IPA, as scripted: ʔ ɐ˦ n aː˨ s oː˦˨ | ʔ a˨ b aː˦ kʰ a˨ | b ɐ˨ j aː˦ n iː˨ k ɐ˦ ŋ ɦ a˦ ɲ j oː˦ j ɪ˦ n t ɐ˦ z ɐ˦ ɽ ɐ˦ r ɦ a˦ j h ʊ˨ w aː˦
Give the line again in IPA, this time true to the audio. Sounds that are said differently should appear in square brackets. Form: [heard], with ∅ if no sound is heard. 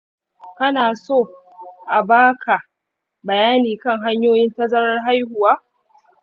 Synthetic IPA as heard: [k] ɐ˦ n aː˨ s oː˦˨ | ʔ a˨ b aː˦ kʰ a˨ | b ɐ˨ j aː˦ n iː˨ k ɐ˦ ŋ ɦ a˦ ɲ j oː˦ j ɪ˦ n t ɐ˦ z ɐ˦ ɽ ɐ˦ r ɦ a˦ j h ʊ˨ w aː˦